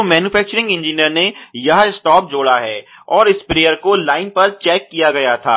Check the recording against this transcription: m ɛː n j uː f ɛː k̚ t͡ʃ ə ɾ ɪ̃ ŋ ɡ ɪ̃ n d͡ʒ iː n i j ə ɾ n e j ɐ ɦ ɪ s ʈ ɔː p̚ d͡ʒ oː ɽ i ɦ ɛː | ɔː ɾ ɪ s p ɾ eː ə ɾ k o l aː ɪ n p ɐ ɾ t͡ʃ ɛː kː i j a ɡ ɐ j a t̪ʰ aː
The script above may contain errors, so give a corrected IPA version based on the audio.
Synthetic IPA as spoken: m ɛː n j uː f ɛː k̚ t͡ʃ ə ɾ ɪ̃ ŋ ɡ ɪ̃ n d͡ʒ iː n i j ə ɾ n e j ɐ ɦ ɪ s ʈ ɔː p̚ d͡ʒ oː ɽ a ɦ ɛː | ɔː ɾ ɪ s p ɾ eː ə ɾ k o l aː ɪ n p ɐ ɾ t͡ʃ ɛː kː i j a ɡ ɐ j a t̪ʰ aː

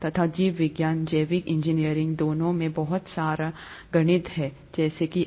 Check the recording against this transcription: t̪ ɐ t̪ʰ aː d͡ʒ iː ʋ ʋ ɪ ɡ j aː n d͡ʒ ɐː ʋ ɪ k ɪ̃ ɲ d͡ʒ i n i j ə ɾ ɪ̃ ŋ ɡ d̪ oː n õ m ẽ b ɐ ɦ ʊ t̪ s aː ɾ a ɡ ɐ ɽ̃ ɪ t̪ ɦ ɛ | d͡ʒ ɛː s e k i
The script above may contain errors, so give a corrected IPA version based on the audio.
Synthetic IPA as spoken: t̪ ɐ t̪ʰ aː d͡ʒ iː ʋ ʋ ɪ ɡ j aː n d͡ʒ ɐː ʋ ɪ k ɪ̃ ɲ d͡ʒ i n i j ə ɾ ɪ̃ ŋ ɡ d̪ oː n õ m ẽ b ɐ ɦ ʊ t̪ s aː ɾ a ɡ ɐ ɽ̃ ɪ t̪ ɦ ɛ | d͡ʒ ɛː s e k i

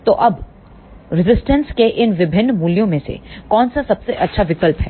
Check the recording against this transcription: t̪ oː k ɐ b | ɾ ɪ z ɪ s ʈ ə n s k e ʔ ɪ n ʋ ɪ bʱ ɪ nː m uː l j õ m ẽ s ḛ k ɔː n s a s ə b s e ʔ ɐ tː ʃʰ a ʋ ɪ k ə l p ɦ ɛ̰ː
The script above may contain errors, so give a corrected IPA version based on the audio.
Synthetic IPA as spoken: t̪ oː ʔ ɐ b | ɾ ɪ z ɪ s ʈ ə n s k e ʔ ɪ n ʋ ɪ bʱ ɪ nː m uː l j õ m ẽ s ḛ k ɔː n s a s ɐ b s e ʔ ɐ tː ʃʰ a ʋ ɪ k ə l p ɦ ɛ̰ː

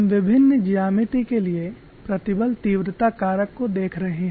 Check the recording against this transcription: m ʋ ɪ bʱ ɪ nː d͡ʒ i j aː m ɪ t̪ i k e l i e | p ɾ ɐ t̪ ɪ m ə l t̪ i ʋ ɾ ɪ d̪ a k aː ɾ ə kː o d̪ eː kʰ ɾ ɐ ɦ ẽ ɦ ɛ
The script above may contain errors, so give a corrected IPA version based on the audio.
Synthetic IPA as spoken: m ʋ ɪ bʱ ɪ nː d͡ʒ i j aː m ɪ t̪ i k e l i e | p ɾ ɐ t̪ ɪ b ə l t̪ iː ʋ ɾ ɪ t̪ a k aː ɾ ə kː o d̪ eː kʰ ɾ ɐ ɦ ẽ ɦ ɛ

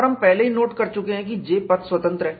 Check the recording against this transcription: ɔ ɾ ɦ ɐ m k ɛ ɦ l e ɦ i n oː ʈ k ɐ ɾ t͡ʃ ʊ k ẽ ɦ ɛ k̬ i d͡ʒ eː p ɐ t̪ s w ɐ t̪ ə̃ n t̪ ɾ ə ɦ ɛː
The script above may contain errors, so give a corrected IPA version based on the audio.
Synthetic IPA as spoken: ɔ ɾ ɦ ɐ m p ɛ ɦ l e ɦ i n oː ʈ k ɐ ɾ t͡ʃ ʊ k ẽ ɦ ɛ̃ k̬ i d͡ʒ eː p ɐ t̪ s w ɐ t̪ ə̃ n t̪ ɾ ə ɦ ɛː

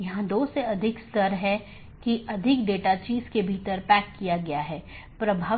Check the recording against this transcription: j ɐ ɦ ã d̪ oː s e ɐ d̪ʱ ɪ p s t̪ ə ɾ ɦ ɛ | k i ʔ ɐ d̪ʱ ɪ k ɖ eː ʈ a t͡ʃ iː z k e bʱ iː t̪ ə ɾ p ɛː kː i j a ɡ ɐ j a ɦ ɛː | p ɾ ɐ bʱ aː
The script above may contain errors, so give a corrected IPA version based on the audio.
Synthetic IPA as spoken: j ɐ ɦ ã d̪ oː s e ɐ d̪ʱ ɪ k s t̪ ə ɾ ɦ ɛ | k i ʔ ɐ d̪ʱ ɪ k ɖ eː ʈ a t͡ʃ iː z k e bʱ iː t̪ ə ɾ p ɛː kː i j a ɡ ɐ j a ɦ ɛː | p ɾ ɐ bʱ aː

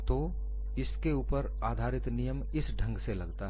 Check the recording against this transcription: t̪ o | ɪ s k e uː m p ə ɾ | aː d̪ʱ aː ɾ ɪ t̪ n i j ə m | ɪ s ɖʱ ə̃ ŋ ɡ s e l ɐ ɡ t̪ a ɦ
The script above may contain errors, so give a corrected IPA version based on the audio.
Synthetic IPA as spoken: t̪ o | ɪ s k e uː p ə ɾ | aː d̪ʱ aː ɾ ɪ t̪ n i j ə m | ɪ s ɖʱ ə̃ ŋ ɡ s e l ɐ ɡ t̪ a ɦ

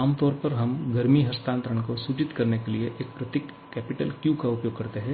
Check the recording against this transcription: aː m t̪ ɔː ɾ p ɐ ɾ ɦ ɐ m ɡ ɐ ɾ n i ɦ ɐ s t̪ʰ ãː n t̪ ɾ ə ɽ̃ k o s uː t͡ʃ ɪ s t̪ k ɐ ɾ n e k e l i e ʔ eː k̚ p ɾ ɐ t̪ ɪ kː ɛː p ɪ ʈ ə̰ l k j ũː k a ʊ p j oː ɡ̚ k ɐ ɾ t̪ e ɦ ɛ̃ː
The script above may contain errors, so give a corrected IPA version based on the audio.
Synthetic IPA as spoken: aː m t̪ ɔː ɾ p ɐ ɾ ɦ ɐ m ɡ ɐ ɾ m i ɦ ɐ s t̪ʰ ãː n t̪ ɾ ə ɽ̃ k o s uː t͡ʃ ɪ t̪ k ɐ ɾ n e k e l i e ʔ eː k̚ p ɾ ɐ t̪ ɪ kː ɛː p ɪ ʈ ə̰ l k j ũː k a ʊ p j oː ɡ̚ k ɐ ɾ t̪ e ɦ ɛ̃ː

